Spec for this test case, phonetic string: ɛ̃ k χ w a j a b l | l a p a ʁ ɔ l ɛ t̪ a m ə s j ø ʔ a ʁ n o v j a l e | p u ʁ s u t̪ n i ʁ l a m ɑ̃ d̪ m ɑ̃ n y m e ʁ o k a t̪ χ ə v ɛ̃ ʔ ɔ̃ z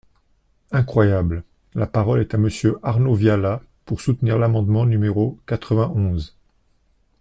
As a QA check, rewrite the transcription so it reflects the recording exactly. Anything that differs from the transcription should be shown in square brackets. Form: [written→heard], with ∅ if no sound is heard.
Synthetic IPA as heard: ɛ̃ k χ w a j a b l | l a p a ʁ ɔ l ɛ t̪ a m ə s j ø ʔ a ʁ n o v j a l [e→a] | p u ʁ s u t̪ n i ʁ l a m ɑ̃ d̪ m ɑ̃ n y m e ʁ o k a t̪ χ ə v ɛ̃ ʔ ɔ̃ z